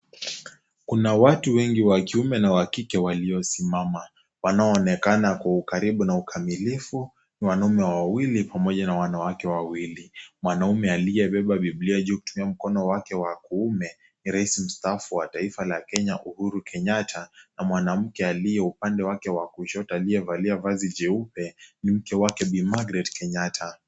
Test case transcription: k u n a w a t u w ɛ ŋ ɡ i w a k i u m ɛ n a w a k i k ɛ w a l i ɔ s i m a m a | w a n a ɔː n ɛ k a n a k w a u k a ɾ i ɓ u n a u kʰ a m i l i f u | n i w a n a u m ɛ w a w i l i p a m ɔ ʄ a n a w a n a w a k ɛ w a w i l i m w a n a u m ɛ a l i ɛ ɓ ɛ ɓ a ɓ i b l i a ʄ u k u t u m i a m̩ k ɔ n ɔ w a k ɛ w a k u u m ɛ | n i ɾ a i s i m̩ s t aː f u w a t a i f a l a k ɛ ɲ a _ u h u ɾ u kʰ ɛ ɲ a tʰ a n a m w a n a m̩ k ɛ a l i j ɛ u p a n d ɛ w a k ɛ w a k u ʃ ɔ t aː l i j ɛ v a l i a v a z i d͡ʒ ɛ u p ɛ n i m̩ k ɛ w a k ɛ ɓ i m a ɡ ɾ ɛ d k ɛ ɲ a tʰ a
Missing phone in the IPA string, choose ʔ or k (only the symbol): ʔ